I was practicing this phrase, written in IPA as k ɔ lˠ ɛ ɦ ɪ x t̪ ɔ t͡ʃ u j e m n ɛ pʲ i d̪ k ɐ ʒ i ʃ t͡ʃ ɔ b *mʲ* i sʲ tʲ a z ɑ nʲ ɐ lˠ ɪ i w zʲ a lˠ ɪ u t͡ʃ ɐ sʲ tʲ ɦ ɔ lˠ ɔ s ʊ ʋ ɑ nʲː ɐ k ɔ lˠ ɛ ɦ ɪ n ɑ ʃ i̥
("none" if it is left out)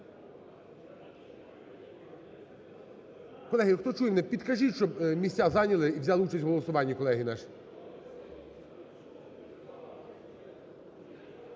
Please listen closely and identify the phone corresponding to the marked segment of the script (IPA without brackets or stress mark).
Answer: mʲ